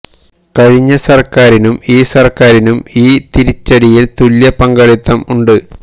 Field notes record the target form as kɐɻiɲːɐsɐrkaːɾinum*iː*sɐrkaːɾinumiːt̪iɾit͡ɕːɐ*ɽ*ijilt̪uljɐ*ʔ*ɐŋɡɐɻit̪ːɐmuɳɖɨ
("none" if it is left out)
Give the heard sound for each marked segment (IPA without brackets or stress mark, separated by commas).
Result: iː, ɽ, p